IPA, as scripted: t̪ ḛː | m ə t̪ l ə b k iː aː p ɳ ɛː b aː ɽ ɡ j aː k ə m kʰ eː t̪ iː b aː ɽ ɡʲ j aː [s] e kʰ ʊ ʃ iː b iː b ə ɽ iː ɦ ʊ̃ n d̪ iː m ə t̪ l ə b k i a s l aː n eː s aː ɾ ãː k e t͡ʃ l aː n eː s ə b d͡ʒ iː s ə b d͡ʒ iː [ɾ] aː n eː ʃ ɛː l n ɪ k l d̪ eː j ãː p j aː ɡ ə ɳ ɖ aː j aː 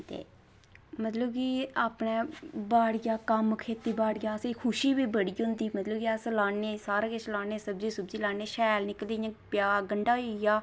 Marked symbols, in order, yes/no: yes, no

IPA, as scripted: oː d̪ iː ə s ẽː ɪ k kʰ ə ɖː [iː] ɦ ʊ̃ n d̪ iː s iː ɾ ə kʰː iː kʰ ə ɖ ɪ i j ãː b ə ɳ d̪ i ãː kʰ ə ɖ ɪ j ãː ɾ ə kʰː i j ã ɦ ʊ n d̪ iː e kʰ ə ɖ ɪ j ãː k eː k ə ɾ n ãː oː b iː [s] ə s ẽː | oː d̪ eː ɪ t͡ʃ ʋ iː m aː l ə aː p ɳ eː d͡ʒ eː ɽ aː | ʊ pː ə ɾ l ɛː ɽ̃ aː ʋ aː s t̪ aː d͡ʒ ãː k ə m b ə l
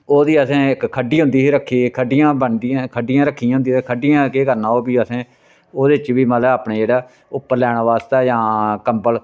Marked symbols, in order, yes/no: yes, no

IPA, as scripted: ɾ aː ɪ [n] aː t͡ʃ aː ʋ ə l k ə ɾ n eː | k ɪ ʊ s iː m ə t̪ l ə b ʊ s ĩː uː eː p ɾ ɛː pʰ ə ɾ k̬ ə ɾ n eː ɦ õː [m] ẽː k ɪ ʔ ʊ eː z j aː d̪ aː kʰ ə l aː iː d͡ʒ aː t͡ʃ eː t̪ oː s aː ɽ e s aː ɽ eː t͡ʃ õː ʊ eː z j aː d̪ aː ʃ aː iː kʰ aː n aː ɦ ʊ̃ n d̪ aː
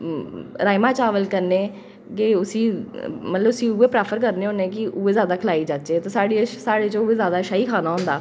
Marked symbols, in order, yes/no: no, no

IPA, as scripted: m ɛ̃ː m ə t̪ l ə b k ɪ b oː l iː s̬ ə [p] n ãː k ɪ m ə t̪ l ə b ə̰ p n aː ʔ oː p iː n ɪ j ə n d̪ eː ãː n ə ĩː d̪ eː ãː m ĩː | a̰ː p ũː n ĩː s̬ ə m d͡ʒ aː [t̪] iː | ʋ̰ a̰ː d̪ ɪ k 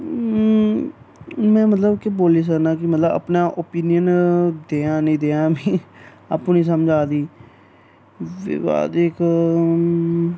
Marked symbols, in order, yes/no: no, no

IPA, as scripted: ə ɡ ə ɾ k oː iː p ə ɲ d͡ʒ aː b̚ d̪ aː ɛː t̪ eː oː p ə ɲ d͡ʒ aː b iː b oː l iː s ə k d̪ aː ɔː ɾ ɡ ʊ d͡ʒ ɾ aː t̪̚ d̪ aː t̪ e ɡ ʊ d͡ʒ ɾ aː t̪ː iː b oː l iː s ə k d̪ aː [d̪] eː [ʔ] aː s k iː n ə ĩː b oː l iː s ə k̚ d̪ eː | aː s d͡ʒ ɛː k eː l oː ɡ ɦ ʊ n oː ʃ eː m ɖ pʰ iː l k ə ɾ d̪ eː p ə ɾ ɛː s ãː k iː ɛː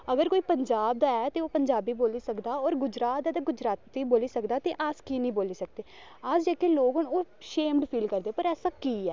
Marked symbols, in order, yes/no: no, yes

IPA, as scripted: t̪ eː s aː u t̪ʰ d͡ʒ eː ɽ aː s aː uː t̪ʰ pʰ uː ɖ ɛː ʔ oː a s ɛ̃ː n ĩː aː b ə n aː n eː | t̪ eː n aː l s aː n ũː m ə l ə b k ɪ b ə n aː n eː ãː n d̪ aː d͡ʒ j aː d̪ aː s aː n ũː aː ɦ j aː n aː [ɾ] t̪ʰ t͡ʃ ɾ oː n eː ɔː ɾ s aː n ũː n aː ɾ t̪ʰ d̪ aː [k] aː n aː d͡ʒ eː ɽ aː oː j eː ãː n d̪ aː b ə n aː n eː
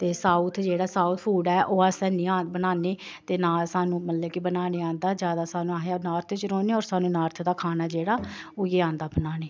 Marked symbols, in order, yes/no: yes, no

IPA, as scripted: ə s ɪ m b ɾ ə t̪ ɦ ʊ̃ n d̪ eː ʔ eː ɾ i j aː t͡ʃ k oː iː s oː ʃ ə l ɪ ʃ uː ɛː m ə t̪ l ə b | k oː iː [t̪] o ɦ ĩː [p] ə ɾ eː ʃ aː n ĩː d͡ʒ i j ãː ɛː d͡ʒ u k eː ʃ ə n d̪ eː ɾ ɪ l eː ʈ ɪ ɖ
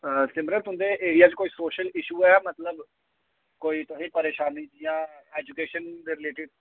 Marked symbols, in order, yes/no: yes, yes

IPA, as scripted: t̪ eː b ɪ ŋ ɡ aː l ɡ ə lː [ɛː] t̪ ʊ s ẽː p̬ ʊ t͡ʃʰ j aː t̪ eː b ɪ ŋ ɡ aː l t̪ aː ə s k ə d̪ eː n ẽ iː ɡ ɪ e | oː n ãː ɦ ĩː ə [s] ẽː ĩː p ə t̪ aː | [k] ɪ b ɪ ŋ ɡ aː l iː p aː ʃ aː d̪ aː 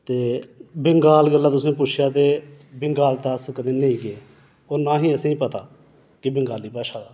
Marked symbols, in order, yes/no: no, yes, yes

